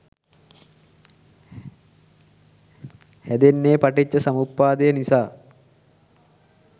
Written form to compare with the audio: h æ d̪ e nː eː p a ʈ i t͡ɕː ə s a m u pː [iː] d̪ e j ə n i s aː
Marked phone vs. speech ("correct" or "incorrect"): incorrect